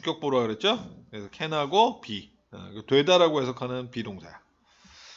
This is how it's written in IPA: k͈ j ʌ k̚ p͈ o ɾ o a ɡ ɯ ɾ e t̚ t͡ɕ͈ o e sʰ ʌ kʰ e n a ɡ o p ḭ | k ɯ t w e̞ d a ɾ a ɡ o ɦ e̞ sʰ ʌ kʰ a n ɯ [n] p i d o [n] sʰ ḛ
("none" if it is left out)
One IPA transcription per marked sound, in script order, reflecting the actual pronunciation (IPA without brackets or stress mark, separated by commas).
n, ŋ